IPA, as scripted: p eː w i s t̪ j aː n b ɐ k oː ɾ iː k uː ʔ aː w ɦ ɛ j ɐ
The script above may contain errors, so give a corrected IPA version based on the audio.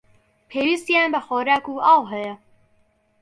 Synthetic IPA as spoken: pʰ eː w i s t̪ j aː n b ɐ x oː ɾ aː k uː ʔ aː w ɦ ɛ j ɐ